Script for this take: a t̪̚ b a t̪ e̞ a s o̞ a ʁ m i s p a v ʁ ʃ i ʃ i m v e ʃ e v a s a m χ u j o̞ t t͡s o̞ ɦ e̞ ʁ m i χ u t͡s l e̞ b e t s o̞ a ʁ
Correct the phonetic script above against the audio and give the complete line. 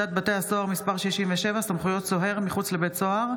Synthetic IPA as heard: a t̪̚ b a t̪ e̞ a s o̞ a ʁ m i s p a ʁ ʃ i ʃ i m v e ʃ e v a s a m χ u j o̞ t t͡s o̞ ɦ e̞ ʁ m i χ u t͡s l e̞ b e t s o̞ a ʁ